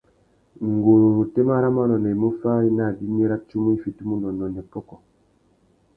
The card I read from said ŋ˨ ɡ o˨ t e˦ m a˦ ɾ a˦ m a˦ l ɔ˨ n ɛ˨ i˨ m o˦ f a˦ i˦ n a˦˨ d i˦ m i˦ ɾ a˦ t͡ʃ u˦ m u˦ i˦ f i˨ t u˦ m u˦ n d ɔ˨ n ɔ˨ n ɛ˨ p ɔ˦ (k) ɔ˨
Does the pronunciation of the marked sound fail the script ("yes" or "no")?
no